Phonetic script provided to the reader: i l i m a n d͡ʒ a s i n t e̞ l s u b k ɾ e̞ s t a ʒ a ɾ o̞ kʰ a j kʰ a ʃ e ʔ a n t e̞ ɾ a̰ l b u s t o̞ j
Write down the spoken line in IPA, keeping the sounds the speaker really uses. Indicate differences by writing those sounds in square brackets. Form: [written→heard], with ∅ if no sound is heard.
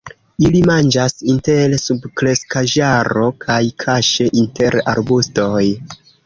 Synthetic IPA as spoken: i l i m a n d͡ʒ a s i n t e̞ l s u b k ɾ e̞ s [t→k] a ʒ a ɾ o̞ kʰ a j kʰ a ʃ e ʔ [a→i] n t e̞ ɾ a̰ [l→ɾ] b u s t o̞ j